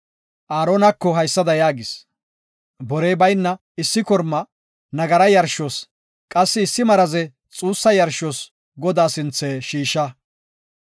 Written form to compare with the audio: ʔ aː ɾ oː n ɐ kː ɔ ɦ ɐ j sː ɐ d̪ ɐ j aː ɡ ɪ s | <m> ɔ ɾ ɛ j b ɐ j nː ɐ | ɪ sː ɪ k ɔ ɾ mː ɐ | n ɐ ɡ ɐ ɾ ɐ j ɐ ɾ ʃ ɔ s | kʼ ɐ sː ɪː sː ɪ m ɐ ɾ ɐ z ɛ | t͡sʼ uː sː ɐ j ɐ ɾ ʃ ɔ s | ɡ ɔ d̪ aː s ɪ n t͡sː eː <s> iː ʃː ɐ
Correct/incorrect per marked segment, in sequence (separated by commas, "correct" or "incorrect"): incorrect, incorrect